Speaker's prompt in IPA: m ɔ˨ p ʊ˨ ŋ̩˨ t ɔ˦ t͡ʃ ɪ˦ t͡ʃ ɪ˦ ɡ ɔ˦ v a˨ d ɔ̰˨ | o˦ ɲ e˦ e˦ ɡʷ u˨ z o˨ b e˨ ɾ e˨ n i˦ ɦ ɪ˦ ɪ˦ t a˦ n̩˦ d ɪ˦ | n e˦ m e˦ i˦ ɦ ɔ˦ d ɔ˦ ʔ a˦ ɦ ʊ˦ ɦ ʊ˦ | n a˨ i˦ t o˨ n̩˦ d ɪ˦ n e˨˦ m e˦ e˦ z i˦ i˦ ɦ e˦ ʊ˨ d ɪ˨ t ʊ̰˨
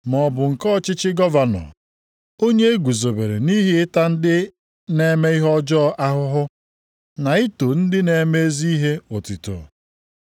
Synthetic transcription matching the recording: m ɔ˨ b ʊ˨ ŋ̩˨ k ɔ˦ t͡ʃ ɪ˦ t͡ʃ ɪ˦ ɡ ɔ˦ v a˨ n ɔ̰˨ | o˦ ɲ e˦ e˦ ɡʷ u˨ z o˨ b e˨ ɾ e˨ n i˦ ɦ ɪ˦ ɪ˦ t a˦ n̩˦ d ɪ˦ | n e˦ m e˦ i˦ ɦ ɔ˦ d͡ʒ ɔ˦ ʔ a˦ ɦ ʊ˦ ɦ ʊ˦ | n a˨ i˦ t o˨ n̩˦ d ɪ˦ n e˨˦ m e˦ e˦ z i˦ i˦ ɦ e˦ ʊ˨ t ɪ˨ t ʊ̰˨